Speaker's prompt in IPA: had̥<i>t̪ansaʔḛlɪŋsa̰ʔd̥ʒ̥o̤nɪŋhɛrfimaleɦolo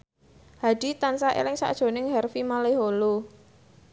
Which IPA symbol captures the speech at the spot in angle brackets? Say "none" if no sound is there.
i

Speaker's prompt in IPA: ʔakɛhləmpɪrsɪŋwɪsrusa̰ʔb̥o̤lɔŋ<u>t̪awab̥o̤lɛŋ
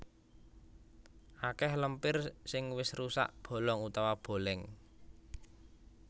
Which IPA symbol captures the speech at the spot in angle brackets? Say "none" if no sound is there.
u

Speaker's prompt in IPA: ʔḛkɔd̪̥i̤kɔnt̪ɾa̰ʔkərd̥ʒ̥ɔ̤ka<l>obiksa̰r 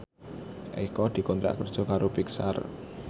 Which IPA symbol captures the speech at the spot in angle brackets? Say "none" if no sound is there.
ɾ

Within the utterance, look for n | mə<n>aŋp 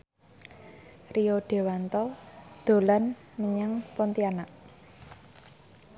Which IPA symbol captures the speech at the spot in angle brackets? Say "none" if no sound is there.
ɲ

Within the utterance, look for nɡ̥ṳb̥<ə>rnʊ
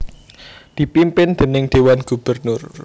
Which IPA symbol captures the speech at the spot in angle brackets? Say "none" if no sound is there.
ə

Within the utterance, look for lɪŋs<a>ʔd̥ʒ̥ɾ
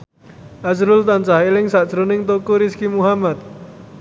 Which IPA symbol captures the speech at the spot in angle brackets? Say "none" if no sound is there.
a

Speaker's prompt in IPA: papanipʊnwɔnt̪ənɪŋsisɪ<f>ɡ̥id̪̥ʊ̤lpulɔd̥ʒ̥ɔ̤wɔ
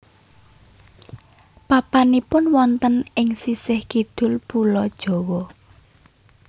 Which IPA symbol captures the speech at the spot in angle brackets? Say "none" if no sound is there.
h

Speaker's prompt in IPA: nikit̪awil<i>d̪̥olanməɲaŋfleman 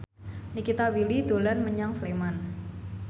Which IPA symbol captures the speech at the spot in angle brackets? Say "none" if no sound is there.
i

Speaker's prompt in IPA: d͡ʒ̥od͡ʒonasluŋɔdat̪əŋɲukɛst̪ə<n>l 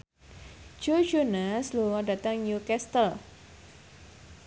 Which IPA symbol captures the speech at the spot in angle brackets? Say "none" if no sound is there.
none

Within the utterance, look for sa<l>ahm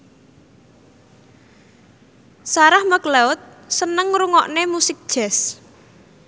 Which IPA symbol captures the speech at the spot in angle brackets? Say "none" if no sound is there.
ɾ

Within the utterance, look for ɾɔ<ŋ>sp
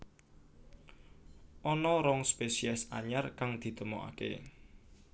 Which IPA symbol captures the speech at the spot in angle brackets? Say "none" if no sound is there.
ŋ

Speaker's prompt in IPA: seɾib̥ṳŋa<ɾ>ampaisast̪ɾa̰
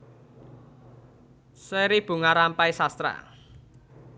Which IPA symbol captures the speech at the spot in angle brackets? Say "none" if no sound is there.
ɾ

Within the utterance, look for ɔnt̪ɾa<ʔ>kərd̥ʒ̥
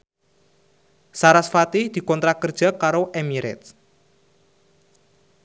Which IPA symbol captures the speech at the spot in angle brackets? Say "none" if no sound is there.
none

